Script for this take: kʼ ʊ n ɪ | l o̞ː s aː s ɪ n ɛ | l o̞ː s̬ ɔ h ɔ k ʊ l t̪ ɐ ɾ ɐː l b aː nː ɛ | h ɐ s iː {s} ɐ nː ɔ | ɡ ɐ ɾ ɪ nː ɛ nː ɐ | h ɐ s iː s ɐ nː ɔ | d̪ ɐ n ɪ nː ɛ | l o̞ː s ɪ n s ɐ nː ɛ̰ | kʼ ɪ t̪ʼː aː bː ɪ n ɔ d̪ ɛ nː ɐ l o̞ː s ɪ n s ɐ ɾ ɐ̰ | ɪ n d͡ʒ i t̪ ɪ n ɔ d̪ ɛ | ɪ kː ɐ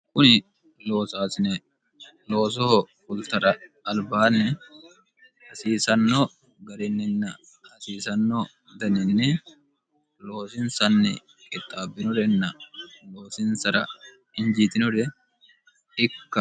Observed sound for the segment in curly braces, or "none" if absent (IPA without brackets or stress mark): s